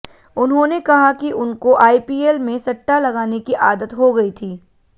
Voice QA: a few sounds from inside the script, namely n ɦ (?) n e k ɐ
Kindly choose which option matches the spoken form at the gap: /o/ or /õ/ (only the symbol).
õ